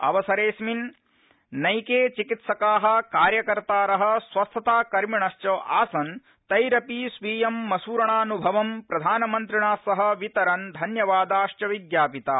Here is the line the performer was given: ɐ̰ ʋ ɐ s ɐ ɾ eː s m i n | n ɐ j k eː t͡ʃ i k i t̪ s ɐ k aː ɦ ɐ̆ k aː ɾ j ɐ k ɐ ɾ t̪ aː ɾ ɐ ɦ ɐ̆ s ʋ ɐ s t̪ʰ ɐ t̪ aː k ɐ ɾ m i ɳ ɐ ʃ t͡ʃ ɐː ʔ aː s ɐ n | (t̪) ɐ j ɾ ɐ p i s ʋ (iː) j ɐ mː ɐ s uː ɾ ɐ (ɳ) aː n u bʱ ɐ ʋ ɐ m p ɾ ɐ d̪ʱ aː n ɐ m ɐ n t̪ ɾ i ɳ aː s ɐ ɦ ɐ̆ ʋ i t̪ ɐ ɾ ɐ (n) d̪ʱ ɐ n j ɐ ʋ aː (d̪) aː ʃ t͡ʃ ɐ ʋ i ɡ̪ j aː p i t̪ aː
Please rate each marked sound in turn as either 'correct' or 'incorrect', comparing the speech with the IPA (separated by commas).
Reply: correct, correct, correct, correct, correct